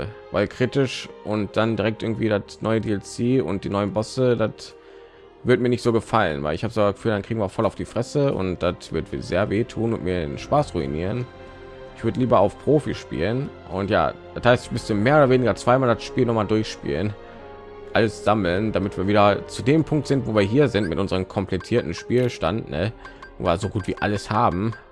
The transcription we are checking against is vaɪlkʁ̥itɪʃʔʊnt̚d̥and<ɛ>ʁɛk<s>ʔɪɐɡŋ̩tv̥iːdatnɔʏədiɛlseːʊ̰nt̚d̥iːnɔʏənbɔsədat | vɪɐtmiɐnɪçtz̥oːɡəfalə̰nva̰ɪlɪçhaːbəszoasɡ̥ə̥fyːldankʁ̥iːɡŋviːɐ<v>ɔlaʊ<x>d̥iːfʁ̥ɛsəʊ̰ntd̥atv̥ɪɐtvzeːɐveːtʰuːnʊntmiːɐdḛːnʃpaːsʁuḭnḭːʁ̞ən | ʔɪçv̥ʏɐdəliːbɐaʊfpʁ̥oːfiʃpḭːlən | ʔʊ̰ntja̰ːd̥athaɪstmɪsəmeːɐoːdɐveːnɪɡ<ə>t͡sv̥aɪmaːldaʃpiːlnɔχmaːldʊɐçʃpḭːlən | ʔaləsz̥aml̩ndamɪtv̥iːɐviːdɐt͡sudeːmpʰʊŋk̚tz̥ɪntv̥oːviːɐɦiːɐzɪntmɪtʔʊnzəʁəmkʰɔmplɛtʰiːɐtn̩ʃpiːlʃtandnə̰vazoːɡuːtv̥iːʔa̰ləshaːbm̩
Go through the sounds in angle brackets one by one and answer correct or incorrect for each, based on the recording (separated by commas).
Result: incorrect, incorrect, incorrect, incorrect, incorrect